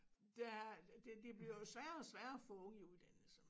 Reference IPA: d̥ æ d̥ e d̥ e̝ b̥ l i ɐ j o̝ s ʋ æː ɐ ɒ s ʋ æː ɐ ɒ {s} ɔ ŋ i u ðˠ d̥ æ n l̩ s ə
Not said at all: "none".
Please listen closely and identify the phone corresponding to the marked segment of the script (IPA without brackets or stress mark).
f